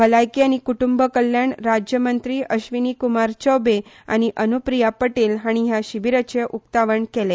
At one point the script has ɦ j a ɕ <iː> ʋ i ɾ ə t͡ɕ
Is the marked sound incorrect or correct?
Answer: incorrect